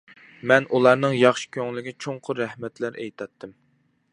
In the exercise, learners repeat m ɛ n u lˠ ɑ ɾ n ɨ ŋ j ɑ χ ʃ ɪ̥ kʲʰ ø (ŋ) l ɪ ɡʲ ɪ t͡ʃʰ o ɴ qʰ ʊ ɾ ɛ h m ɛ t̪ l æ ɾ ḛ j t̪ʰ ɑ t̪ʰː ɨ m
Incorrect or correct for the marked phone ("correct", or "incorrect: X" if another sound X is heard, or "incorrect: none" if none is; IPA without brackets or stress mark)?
correct